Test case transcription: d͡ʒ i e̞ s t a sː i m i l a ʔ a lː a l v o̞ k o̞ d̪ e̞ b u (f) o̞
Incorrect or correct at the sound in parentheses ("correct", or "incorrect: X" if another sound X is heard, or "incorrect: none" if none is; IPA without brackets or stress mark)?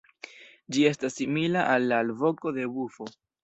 correct